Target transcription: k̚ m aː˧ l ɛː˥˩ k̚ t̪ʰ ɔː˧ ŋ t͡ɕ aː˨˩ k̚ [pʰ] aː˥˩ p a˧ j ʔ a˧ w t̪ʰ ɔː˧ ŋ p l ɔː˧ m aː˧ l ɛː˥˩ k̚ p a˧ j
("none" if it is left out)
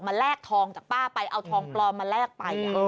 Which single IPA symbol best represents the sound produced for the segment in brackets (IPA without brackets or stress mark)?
p